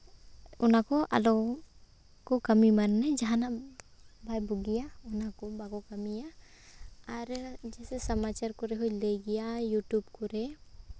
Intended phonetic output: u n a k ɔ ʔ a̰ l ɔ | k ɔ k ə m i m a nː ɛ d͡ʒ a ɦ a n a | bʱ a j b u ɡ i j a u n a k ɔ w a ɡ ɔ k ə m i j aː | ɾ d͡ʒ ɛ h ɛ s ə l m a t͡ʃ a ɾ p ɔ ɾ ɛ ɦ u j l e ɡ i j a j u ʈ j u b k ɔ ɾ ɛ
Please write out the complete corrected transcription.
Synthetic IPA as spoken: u n a k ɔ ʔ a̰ l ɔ | k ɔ k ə m i m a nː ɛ d͡ʒ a ɦ a n a | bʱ a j b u ɡ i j a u n a k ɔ b a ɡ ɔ k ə m i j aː | ɾ d͡ʒ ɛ s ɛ s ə m a t͡ʃ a ɾ k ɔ ɾ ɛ ɦ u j l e ɡ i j a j u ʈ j u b k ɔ ɾ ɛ